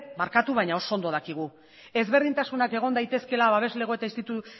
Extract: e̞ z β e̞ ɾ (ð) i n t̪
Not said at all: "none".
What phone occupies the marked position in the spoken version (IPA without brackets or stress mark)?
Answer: ð